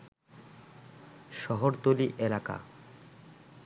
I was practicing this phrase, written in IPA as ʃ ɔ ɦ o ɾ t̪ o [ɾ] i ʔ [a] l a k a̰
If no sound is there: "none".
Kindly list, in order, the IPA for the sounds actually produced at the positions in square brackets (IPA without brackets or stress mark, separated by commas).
l, e